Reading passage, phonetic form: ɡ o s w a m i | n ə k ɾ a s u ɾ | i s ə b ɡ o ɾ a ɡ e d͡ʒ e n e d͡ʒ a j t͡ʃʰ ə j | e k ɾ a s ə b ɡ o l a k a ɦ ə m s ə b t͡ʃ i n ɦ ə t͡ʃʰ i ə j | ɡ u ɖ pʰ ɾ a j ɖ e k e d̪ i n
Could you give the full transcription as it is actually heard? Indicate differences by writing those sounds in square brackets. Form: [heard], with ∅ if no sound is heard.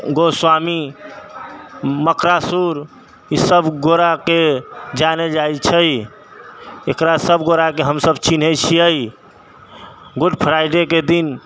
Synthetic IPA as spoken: ɡ o s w a m i | [m] ə k ɾ a s u ɾ | i s ə b ɡ o ɾ a [k] e d͡ʒ [a] n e d͡ʒ a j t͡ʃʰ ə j | e k ɾ a s ə b ɡ o [ɾ] a k [e] ɦ ə m s ə b t͡ʃ i n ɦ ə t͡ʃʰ i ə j | ɡ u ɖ pʰ ɾ a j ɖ e k e d̪ i n